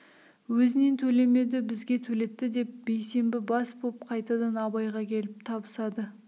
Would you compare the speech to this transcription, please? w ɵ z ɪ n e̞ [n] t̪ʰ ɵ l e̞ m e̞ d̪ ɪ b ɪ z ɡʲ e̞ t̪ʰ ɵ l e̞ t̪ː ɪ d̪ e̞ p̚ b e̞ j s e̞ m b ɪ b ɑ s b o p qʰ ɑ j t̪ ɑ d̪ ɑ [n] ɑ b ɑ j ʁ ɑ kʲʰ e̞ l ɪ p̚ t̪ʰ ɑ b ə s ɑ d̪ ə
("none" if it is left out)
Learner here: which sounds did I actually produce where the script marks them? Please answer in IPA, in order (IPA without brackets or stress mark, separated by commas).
n, n